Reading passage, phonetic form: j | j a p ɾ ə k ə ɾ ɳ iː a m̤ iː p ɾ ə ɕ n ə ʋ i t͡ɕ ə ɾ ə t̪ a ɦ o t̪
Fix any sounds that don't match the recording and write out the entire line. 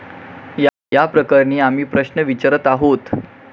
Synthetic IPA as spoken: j | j a p ɾ ə k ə ɾ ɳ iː a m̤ iː p ɾ ə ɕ n ə ʋ i t͡ɕ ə ɾ ə t̪ a ɦ o t̪

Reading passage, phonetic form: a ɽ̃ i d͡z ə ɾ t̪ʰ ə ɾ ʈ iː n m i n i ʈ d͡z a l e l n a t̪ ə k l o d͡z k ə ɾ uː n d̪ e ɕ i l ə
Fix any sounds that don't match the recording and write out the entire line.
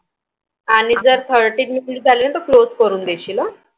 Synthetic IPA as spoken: a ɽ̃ i d͡z ə ɾ t̪ʰ ə ɾ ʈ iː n m i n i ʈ d͡z a l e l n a t̪ ə k l o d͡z k ə ɾ uː n d̪ e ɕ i l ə

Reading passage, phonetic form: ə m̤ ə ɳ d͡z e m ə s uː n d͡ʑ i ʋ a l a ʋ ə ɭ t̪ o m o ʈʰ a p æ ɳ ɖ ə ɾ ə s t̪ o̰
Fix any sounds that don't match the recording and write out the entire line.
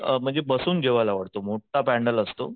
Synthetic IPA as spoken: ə m̤ ə ɳ d͡z e b ə s uː n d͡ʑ e ʋ a l a ʋ ə ɽ t̪ o m o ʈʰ a p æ ɳ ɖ ə l ə s t̪ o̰

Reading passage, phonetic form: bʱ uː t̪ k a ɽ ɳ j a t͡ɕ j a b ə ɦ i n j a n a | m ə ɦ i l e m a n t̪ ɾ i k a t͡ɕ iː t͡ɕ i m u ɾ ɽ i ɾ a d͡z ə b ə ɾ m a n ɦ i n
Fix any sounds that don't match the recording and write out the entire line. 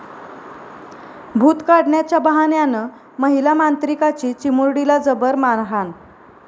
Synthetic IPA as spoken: bʱ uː t̪ k a ɽ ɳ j a t͡ɕ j a b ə ɦ a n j a n ə | m ə ɦ i l a m a n t̪ ɾ i k a t͡ɕ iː t͡ɕ i m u ɾ ɽ i l a d͡z ə b ə ɾ m a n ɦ a n

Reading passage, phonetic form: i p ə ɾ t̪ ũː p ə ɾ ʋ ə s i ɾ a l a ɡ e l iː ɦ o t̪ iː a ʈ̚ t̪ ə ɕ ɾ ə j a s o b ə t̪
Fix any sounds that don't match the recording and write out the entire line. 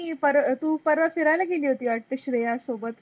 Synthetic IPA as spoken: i p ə ɾ t̪ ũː p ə ɾ ʋ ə f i ɾ a l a ɡ e l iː ɦ o t̪ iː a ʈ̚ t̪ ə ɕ ɾ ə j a s o b ə t̪

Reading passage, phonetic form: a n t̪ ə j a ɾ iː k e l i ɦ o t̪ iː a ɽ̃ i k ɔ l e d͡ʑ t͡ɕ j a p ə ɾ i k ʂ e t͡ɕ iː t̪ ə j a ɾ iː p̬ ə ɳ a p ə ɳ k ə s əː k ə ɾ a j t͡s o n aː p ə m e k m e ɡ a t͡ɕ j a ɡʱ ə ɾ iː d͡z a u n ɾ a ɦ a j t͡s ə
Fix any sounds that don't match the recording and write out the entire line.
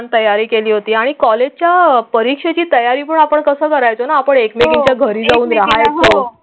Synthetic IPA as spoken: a n t̪ ə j a ɾ iː k e l iː ɦ o t̪ iː a ɽ̃ i k ɔ l e d͡ʑ t͡ɕ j a p ə ɾ i k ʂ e t͡ɕ iː t̪ ə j a ɾ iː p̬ ə ɳ a p ə ɳ k ə s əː k ə ɾ a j t͡s o n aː p ə ɳ e k m e ɡ i t͡ɕ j a ɡʱ ə ɾ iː d͡z a uː n ɾ a ɦ a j t͡s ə

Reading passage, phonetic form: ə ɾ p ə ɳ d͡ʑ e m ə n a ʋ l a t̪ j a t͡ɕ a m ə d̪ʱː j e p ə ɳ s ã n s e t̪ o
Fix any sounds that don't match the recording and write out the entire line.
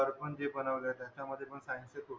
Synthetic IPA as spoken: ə ɾ p ə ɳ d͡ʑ e b ə n a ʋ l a t̪ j a t͡ɕ a m ə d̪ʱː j e p ə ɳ s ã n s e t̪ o

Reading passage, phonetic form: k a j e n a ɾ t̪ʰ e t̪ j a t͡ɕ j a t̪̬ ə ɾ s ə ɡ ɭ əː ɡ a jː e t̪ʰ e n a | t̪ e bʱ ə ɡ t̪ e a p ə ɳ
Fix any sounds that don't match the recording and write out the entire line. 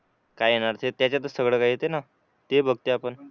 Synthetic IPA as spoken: k a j e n a ɾ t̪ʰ e t̪ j a t͡ɕ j a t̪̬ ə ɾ s ə ɡ ɭ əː k a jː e t̪ e n a | t̪ e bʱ ə ɡ t̪ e a p ə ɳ

